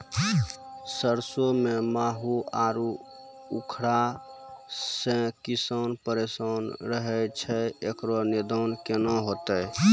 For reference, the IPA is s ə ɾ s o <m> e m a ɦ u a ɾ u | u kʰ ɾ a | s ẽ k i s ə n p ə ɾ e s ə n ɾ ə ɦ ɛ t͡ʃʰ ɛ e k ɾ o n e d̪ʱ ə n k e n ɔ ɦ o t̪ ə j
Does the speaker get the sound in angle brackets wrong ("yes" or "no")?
no